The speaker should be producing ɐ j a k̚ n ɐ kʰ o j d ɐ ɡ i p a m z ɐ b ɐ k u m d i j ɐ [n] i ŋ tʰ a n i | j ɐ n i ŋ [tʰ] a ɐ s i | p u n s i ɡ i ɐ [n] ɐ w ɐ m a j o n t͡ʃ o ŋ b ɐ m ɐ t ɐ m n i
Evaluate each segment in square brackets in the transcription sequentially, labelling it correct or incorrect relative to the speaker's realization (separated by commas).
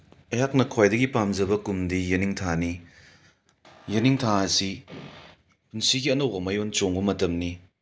correct, correct, correct